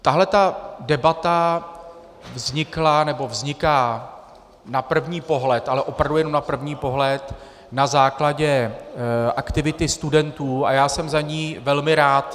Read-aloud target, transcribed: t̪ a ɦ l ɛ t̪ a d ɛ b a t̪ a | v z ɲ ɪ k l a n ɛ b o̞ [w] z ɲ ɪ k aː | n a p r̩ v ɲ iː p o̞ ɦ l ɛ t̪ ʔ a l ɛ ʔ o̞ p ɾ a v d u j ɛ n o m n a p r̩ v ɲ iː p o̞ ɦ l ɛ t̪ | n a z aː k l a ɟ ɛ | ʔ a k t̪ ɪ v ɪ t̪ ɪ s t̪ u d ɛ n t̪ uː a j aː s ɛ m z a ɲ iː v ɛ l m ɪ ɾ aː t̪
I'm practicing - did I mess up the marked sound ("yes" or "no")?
yes